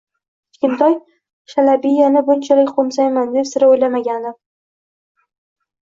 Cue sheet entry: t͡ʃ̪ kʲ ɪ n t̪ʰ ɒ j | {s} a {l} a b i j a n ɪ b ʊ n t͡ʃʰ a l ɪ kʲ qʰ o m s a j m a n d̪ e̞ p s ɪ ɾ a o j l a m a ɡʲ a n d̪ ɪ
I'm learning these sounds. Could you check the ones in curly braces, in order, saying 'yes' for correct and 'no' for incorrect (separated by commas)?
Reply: no, yes